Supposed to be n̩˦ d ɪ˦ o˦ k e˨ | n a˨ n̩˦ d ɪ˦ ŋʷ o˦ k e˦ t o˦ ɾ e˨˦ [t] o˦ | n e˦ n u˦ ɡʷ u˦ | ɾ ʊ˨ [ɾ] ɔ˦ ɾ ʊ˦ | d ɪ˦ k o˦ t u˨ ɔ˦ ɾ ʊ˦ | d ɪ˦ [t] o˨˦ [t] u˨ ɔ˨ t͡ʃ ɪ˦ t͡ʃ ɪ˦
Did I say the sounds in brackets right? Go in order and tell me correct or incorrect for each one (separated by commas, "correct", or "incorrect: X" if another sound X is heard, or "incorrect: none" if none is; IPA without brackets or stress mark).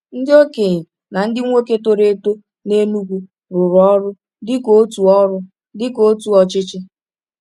correct, correct, incorrect: k, correct